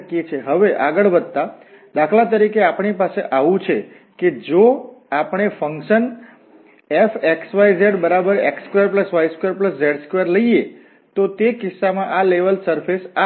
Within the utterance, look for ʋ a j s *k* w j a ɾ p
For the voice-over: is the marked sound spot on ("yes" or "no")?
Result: yes